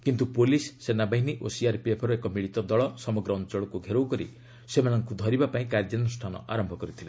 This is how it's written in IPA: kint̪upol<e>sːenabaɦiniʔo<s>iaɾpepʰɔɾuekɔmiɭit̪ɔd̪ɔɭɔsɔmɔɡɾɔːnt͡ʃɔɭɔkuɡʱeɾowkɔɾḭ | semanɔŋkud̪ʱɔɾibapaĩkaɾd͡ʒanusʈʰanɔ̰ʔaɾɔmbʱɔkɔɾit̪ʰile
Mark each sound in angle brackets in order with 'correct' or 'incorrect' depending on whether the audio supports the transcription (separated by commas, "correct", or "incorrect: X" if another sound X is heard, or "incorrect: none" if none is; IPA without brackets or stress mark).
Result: incorrect: i, correct